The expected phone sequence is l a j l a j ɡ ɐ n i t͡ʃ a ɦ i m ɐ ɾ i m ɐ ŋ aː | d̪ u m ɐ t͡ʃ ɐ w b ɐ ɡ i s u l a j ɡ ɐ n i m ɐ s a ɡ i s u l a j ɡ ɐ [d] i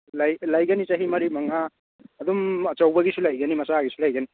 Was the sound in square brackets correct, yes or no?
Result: no